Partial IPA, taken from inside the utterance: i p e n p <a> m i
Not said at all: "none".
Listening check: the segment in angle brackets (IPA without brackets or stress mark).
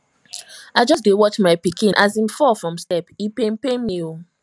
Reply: e